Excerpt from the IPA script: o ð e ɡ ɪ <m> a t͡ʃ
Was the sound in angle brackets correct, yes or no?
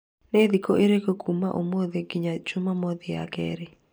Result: no